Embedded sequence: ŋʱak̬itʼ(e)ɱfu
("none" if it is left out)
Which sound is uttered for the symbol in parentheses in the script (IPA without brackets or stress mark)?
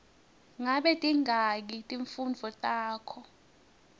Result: i